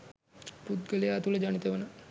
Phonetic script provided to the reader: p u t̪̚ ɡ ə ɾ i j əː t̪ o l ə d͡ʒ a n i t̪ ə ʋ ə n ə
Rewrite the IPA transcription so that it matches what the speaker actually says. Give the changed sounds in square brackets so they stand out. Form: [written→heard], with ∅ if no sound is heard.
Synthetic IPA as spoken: p u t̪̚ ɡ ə [ɾ→l] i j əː t̪ [o→u] l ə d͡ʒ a n i t̪ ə ʋ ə n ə